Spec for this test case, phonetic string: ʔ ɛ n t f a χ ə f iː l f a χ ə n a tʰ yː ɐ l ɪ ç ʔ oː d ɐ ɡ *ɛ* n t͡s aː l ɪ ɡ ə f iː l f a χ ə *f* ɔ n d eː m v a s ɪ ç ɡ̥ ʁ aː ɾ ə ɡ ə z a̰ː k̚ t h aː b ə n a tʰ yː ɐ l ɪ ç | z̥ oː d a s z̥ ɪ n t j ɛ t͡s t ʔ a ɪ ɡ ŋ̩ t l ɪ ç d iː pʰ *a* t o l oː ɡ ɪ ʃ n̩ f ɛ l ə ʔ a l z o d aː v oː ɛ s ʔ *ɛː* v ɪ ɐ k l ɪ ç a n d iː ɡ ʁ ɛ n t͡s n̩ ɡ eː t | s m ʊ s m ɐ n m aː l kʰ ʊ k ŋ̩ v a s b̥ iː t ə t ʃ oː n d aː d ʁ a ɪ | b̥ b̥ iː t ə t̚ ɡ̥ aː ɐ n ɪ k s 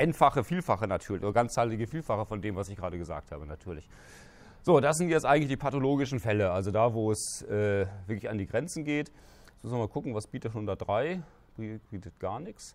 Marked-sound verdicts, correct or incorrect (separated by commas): incorrect, correct, correct, correct